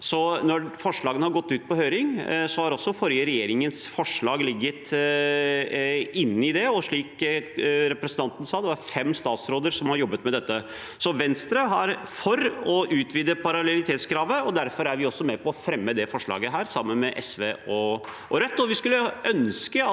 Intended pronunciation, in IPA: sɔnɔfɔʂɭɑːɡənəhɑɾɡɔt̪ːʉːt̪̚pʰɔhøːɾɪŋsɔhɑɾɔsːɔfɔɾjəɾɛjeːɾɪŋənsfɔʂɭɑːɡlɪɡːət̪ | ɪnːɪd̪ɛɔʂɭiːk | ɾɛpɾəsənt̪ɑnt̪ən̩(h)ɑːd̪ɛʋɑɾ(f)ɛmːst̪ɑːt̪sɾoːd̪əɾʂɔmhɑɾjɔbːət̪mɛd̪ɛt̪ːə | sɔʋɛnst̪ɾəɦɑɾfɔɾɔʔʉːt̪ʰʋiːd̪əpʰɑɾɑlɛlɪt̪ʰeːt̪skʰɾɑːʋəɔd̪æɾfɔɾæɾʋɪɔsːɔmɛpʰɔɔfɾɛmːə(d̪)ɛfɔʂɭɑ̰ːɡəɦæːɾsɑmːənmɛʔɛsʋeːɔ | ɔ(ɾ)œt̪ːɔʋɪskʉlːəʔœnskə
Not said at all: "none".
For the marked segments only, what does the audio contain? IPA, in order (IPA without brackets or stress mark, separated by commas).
s, f, d̪, ɾ